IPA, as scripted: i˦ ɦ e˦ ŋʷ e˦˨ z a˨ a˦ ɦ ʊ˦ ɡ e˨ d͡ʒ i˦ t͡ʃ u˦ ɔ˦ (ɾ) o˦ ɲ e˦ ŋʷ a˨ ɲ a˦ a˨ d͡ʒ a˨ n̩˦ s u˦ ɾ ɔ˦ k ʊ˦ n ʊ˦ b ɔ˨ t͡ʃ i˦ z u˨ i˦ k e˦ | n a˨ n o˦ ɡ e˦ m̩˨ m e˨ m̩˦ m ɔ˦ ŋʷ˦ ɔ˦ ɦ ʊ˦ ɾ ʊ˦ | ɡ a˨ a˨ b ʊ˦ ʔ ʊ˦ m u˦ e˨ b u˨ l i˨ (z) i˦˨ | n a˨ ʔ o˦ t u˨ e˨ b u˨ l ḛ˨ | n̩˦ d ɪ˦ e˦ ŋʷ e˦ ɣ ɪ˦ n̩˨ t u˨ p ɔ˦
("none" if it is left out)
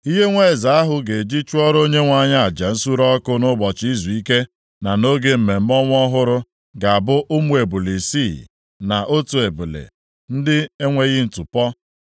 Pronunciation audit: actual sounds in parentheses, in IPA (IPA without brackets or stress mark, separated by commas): ɾ, s